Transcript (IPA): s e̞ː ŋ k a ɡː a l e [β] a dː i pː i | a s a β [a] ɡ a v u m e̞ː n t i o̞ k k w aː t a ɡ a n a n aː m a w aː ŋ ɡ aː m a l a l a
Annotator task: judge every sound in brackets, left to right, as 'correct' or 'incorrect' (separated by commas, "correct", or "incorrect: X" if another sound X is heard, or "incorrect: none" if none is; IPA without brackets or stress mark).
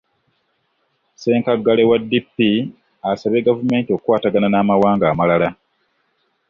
incorrect: w, incorrect: e